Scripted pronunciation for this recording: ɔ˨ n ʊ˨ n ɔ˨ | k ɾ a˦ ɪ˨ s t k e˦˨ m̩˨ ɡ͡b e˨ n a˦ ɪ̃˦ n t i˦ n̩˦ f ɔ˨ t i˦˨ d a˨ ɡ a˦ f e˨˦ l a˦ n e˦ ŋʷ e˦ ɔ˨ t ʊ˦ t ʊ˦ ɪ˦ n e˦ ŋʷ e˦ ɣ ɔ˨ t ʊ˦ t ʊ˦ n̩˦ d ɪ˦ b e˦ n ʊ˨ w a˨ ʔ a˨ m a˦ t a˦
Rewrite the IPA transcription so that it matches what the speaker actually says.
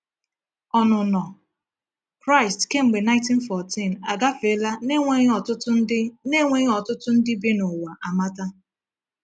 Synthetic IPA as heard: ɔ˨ n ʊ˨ n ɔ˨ | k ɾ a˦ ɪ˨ s t k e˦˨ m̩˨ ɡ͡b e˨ n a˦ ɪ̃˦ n t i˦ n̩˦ f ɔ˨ t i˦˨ n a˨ ɡ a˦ f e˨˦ l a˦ n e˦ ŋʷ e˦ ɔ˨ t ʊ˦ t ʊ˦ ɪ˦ n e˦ ŋʷ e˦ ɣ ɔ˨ t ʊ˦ t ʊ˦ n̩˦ d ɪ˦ b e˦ n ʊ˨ w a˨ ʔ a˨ m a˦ t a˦